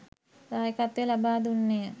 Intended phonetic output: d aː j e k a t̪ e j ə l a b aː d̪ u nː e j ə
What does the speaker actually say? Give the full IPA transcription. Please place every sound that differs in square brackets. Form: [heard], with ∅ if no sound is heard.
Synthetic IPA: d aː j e k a t̪ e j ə l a b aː d̪ u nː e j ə